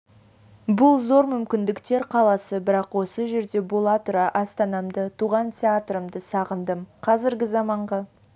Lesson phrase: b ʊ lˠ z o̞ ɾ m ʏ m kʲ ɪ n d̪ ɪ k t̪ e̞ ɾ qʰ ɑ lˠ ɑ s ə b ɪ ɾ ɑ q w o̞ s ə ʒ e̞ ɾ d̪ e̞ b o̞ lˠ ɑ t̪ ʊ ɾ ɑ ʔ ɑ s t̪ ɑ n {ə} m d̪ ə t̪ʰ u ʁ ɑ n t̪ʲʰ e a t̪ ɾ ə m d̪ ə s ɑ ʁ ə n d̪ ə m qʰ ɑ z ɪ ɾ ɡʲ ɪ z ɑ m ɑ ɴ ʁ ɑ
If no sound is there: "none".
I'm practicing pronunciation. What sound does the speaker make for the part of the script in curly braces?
ɑ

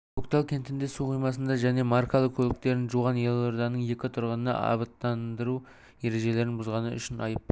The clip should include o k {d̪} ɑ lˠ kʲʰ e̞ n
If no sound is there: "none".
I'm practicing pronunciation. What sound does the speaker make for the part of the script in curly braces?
t̪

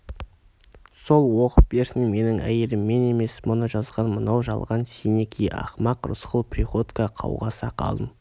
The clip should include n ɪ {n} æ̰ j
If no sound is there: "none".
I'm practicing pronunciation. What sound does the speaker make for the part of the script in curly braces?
ŋ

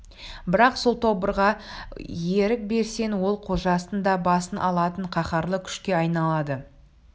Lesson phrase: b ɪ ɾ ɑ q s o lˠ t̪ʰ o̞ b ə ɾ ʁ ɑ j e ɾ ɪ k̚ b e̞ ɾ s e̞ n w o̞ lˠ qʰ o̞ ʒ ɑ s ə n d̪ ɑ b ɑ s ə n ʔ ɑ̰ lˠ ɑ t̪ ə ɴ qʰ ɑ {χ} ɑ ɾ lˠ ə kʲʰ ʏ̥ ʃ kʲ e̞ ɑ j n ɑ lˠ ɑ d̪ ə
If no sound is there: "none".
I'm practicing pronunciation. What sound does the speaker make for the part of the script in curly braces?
χ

